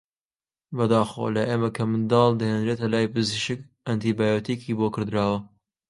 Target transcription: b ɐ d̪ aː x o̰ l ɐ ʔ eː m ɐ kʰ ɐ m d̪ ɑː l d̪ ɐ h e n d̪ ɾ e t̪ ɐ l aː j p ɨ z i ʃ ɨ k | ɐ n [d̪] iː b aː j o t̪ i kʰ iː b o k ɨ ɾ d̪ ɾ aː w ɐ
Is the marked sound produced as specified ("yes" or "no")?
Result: no